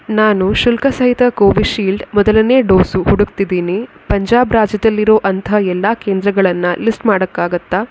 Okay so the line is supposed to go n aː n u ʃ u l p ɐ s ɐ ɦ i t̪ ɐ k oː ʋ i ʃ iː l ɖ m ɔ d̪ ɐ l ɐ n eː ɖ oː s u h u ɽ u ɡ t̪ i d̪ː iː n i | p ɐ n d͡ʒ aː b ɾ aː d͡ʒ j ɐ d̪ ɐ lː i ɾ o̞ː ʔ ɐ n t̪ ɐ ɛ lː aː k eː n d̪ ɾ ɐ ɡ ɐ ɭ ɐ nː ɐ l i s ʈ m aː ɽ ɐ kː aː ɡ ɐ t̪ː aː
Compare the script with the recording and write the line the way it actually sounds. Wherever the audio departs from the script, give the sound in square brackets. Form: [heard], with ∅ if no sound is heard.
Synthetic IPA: n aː n u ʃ u l [k] ɐ s ɐ ɦ i t̪ ɐ k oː ʋ i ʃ iː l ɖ m ɔ d̪ ɐ l ɐ n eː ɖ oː s u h u ɽ u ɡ t̪ i [d̪] iː n i | p ɐ [ɲ] d͡ʒ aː b ɾ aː d͡ʒ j ɐ d̪ ɐ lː i ɾ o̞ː ʔ ɐ n t̪ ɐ ɛ lː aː k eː n d̪ ɾ ɐ ɡ ɐ ɭ ɐ nː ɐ l i s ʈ m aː ɽ ɐ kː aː ɡ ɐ t̪ː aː